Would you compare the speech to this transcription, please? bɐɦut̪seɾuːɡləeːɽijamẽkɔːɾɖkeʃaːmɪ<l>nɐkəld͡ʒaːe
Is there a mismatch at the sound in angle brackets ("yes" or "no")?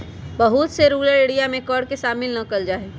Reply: no